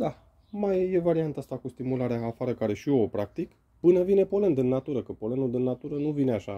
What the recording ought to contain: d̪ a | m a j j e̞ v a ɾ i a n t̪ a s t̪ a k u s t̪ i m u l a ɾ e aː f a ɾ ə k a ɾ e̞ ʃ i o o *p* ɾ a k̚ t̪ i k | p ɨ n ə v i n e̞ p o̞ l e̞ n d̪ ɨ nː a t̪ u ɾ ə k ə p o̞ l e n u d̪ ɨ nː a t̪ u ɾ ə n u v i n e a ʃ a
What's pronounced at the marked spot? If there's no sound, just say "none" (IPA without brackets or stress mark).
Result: p